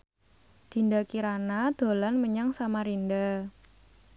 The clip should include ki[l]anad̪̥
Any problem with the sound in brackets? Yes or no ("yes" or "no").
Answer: yes